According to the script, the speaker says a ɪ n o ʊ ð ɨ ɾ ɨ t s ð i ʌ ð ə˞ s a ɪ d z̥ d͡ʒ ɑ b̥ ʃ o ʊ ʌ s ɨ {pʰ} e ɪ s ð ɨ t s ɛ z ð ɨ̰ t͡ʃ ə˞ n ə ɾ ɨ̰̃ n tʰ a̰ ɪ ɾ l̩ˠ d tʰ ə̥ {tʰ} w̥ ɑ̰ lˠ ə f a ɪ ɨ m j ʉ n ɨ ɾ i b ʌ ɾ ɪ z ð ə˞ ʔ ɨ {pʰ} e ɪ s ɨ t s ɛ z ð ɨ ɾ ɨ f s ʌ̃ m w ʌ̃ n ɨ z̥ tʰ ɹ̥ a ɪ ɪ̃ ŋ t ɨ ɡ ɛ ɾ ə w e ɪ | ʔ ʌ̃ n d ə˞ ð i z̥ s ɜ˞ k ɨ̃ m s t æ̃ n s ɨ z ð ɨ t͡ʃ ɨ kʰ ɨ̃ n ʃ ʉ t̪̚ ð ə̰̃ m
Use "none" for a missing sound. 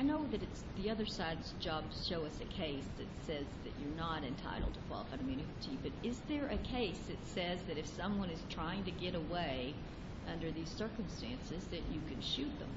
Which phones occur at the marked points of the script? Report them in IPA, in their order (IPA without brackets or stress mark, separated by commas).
kʰ, kʰ, kʰ